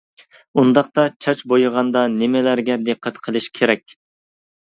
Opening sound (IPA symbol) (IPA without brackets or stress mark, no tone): u